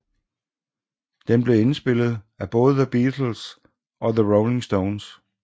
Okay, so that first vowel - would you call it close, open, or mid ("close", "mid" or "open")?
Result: mid